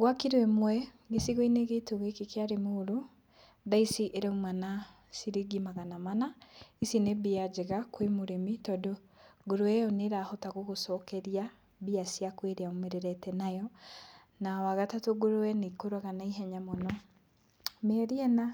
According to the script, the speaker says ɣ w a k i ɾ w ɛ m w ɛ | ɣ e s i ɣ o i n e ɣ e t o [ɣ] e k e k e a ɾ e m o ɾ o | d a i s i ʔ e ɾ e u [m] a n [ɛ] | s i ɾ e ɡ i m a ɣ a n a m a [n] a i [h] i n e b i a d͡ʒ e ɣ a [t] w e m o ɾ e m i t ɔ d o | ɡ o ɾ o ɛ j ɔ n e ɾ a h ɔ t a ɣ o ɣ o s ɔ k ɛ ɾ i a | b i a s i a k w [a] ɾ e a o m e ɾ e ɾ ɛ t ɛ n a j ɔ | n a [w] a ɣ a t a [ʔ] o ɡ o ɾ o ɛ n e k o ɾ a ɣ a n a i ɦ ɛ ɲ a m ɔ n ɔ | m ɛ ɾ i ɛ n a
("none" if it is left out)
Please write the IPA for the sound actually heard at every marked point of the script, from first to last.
ɣ, m, a, n, s, k, e, w, t

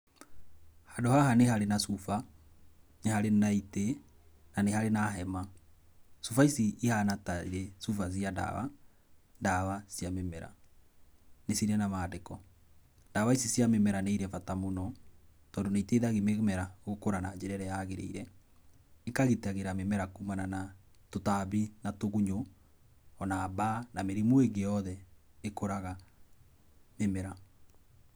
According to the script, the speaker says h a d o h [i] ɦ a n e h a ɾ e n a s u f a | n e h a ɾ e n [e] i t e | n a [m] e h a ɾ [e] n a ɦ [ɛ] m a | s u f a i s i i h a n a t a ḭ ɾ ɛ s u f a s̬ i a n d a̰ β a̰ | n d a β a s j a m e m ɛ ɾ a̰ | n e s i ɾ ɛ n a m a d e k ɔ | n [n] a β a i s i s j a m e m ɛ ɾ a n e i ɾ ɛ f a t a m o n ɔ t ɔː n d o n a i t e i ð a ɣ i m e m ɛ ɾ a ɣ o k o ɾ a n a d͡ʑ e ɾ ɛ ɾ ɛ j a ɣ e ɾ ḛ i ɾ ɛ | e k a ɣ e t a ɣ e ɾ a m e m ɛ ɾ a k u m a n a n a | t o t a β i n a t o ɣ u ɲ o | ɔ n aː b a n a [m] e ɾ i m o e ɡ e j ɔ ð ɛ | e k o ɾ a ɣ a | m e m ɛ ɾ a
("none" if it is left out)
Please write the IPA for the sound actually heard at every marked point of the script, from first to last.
a, a, n, e, ɛ, d, m

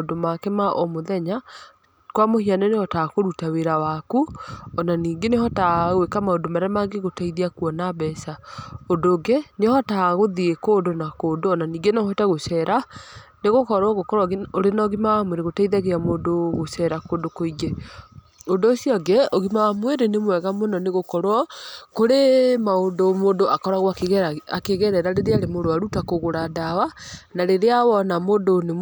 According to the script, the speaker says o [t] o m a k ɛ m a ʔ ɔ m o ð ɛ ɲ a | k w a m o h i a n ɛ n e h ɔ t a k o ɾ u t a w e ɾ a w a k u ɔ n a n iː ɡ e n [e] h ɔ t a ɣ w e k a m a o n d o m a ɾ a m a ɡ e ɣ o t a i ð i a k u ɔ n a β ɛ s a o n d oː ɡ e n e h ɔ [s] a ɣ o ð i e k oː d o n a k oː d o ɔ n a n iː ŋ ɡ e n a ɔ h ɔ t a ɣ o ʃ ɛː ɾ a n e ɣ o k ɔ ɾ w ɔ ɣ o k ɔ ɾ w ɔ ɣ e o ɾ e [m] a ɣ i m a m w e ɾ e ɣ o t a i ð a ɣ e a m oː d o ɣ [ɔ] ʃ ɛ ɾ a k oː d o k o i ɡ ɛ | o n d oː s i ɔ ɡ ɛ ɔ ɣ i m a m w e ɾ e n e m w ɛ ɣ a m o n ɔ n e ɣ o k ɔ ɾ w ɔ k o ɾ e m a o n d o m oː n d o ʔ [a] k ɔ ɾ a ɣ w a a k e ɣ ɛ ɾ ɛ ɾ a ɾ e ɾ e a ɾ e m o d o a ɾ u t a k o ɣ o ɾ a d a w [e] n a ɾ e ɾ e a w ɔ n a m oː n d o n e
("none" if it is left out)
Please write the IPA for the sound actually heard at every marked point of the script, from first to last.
d, e, t, n, o, a, a

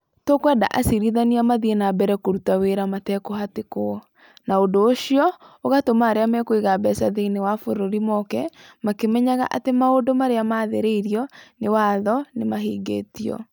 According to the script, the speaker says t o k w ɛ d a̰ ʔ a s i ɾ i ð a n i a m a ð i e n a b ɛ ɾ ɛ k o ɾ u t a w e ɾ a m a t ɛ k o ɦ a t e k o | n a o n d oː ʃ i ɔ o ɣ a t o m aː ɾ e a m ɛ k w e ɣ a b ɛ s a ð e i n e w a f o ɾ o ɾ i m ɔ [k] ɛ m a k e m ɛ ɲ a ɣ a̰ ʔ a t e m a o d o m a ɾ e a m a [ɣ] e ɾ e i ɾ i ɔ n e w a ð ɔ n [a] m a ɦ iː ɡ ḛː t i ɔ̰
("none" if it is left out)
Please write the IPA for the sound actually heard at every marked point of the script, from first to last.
k, ð, e

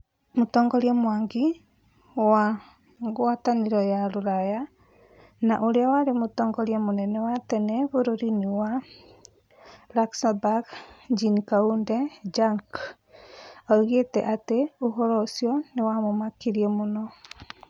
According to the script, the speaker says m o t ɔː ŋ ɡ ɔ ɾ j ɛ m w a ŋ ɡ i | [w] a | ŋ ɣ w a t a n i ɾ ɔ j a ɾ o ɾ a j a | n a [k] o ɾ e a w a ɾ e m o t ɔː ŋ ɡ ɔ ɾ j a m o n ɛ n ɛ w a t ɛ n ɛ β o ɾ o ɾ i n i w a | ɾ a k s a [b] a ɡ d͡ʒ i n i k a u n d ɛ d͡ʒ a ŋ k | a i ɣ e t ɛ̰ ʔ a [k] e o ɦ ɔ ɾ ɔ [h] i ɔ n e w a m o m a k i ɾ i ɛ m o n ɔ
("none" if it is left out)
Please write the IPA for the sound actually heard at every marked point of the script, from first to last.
w, ʔ, b, t, s

